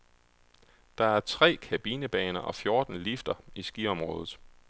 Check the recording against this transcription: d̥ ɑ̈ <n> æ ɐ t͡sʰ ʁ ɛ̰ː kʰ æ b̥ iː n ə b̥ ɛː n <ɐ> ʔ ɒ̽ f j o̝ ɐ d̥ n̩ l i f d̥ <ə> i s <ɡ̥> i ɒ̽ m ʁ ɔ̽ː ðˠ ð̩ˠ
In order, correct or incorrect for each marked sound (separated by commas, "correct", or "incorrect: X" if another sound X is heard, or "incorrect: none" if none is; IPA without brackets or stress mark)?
incorrect: none, correct, incorrect: ɐ, correct